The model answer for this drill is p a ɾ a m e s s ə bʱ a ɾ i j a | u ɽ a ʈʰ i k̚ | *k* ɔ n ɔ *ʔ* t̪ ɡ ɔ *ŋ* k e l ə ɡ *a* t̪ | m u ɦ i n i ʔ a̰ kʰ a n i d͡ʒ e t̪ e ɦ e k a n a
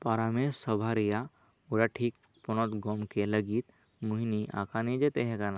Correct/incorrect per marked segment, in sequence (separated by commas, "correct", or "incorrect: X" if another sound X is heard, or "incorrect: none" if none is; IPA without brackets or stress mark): incorrect: p, incorrect: none, incorrect: m, incorrect: i